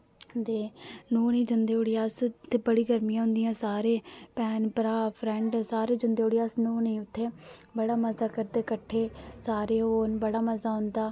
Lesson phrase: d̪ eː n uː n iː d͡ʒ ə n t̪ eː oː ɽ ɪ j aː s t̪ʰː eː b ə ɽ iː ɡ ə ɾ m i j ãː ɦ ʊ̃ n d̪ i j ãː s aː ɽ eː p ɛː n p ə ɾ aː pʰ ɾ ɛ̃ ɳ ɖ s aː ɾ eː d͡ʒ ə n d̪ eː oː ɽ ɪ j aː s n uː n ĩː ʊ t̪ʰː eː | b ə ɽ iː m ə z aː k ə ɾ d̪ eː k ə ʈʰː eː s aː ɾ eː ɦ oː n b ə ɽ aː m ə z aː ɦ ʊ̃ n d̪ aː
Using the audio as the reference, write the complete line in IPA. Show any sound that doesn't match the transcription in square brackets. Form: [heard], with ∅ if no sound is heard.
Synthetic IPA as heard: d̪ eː n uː n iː d͡ʒ ə n [d̪] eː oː ɽ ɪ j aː s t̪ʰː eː b ə ɽ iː ɡ ə ɾ m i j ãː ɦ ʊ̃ n d̪ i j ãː s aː [ɾ] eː p ɛː n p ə ɾ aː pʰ ɾ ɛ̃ ɳ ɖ s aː ɾ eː d͡ʒ ə n d̪ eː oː ɽ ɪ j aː s n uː n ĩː ʊ t̪ʰː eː | b ə ɽ [aː] m ə z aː k ə ɾ d̪ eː k ə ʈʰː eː s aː ɾ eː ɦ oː n b ə ɽ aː m ə z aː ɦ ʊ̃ n d̪ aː

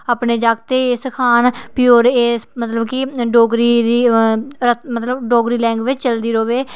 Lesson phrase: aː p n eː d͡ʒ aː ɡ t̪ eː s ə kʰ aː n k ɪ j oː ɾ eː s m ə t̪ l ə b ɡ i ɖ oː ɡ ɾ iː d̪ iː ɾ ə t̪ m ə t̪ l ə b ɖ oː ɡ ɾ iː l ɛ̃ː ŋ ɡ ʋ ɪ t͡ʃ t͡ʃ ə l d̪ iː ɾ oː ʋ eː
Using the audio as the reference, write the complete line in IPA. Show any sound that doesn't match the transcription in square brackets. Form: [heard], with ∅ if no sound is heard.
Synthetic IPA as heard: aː p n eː d͡ʒ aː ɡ t̪ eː s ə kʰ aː n [p] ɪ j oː ɾ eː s m ə t̪ l ə b [k] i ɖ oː ɡ ɾ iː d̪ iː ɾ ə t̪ m ə t̪ l ə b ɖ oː ɡ ɾ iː l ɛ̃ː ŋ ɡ ʋ ɪ t͡ʃ t͡ʃ ə l d̪ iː ɾ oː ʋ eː

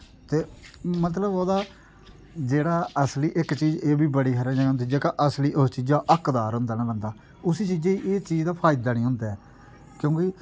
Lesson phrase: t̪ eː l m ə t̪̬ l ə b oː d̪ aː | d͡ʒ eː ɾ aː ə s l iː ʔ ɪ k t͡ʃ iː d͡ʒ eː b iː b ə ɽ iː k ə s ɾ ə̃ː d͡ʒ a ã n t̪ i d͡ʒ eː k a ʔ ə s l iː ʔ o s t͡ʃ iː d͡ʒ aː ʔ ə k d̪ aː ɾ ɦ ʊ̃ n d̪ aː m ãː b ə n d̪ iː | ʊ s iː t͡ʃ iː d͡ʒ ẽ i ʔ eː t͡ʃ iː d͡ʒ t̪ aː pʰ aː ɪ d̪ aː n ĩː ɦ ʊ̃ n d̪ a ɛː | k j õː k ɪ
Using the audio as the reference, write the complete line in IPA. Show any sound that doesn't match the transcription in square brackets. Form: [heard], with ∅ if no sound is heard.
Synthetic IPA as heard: t̪ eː [∅] m ə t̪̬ l ə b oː d̪ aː | d͡ʒ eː [ɽ] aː ə s l iː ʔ ɪ k t͡ʃ iː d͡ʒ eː b iː b ə ɽ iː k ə [∅] ɾ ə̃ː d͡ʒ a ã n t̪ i d͡ʒ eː k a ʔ ə s l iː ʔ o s t͡ʃ iː d͡ʒ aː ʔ ə k d̪ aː ɾ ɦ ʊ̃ n d̪ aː [n] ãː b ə n d̪ [aː] | ʊ s iː t͡ʃ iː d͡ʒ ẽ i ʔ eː t͡ʃ iː d͡ʒ [d̪] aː pʰ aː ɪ d̪ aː n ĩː ɦ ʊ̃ n d̪ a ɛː | k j õː k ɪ

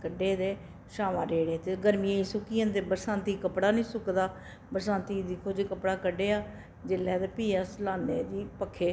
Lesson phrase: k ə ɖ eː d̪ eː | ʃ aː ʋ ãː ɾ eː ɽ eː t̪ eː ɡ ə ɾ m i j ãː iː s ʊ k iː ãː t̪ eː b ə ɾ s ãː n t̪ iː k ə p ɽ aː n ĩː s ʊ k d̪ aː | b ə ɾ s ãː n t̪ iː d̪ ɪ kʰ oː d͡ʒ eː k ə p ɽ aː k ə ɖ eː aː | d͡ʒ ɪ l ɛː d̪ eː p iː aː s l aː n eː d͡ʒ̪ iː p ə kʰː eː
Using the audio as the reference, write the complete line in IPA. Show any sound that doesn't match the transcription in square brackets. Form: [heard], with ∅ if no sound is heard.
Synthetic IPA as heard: k ə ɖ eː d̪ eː | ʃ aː ʋ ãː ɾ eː ɽ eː t̪ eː ɡ ə ɾ m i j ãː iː s ʊ k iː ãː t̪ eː b ə ɾ s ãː n t̪ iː k ə p ɽ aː n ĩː s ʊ k d̪ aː | b ə ɾ s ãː n t̪ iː d̪ ɪ kʰ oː d͡ʒ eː k ə p ɽ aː k ə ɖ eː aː | d͡ʒ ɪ l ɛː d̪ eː p iː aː s l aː n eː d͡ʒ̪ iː p ə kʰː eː

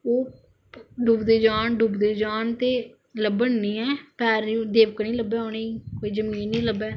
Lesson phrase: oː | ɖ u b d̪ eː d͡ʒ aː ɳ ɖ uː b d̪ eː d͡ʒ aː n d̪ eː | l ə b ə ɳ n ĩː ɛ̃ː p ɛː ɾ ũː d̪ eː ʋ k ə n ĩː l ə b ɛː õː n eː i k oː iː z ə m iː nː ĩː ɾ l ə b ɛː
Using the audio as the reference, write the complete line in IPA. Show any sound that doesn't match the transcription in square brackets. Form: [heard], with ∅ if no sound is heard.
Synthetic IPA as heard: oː | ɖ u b d̪ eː d͡ʒ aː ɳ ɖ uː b d̪ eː d͡ʒ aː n [t̪] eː | l ə b ə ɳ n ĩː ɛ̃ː p ɛː ɾ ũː d̪ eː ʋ k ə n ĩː l ə b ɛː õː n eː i k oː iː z ə m iː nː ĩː [∅] l ə b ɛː

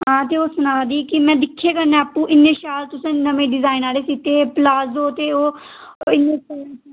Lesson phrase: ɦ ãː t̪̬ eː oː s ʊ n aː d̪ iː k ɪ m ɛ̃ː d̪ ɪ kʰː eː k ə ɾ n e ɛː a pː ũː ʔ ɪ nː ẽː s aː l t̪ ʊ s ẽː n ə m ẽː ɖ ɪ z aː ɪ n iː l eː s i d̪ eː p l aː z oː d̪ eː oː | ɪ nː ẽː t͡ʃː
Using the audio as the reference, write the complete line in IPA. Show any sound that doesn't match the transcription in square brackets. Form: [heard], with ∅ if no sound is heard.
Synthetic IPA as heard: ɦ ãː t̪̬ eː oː s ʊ n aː d̪ iː k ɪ m ɛ̃ː d̪ ɪ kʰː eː k ə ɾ n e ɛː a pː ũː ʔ ɪ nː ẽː [ʃ] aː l t̪ ʊ s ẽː n ə m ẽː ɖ ɪ z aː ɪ n [aː] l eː s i [t̪] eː p l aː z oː [t̪] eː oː | ɪ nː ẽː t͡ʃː

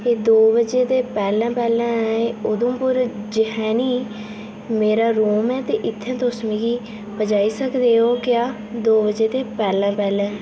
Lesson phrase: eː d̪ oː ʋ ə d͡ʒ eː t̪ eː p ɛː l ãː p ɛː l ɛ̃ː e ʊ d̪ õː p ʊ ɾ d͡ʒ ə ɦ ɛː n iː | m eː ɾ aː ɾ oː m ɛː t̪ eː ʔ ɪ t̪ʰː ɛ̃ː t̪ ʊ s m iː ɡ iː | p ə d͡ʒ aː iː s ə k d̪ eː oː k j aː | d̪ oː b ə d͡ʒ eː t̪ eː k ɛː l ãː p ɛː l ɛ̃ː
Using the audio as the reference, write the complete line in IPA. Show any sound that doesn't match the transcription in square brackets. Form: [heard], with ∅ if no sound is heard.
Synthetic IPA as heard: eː d̪ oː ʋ ə d͡ʒ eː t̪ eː p ɛː l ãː p ɛː l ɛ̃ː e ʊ d̪ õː p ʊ ɾ d͡ʒ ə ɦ ɛː n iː | m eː ɾ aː ɾ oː m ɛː t̪ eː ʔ ɪ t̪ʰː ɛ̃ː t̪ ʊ s m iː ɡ iː | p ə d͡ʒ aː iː s ə k d̪ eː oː k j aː | d̪ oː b ə d͡ʒ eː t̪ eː [p] ɛː l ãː p ɛː l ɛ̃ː

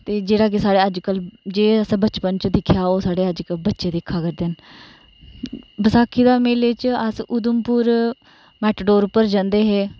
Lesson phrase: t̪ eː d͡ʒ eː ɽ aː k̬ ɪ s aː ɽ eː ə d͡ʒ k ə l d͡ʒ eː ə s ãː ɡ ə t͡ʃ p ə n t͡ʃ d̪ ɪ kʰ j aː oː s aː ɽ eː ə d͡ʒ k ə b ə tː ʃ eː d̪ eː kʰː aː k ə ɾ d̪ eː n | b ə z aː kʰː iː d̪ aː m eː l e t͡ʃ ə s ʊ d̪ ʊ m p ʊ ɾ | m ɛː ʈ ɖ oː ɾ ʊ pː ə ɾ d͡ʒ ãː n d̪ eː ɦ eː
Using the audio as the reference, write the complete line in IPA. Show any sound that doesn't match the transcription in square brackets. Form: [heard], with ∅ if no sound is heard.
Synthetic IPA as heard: t̪ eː d͡ʒ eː ɽ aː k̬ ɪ s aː ɽ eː ə d͡ʒ k ə l d͡ʒ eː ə s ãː [b] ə t͡ʃ p ə n t͡ʃ d̪ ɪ kʰ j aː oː s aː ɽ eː ə d͡ʒ k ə b ə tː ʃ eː d̪ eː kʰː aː k ə ɾ d̪ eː n | b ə [s] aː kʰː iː d̪ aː m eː l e t͡ʃ ə s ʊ d̪ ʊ m p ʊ ɾ | m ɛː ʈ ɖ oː ɾ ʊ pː ə ɾ d͡ʒ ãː n d̪ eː ɦ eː

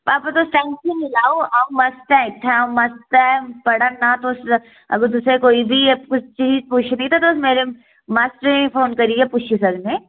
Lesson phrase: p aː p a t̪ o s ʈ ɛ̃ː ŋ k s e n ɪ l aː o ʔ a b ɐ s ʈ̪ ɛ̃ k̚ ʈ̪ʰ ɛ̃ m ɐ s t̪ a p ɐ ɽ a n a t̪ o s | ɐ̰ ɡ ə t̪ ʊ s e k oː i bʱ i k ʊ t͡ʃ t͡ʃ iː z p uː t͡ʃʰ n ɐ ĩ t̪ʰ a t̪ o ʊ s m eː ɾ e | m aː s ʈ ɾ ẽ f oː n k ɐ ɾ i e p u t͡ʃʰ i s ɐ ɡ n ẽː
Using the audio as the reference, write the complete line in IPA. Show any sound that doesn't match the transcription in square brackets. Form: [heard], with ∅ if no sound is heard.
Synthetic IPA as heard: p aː p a t̪ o s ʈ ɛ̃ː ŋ k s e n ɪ l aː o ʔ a [m] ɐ s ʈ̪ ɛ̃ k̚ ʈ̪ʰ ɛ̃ m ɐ s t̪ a p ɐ ɽ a n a t̪ o s | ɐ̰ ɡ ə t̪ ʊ s e k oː i bʱ i k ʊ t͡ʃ t͡ʃ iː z p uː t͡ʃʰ n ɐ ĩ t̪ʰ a t̪ o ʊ s m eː ɾ e | m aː s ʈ ɾ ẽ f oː n k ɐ ɾ i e p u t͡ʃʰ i s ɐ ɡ n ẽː

